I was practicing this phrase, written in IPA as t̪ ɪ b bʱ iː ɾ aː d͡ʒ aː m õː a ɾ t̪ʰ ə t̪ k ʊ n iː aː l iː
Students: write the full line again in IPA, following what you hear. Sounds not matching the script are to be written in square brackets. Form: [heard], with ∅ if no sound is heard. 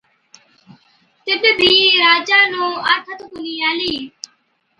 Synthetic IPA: t̪ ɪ b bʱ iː ɾ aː d͡ʒ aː [n] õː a ɾ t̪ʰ ə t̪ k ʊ n iː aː l iː